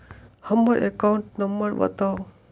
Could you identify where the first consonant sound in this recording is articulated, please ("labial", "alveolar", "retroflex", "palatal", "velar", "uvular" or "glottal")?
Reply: glottal